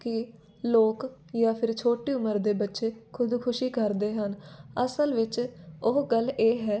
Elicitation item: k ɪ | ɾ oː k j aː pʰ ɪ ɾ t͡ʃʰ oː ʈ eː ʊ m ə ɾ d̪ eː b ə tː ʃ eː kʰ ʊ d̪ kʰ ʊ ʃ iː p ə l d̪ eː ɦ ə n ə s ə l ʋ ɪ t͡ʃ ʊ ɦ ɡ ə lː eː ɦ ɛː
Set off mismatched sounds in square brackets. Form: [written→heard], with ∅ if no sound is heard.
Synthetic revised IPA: k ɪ | [ɾ→l] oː k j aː pʰ ɪ ɾ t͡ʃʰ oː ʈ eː ʊ m ə ɾ d̪ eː b ə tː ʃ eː kʰ ʊ d̪ kʰ ʊ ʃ iː [p→k] ə [l→ɾ] d̪ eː ɦ ə n ə s ə l ʋ ɪ t͡ʃ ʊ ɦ ɡ ə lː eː ɦ ɛː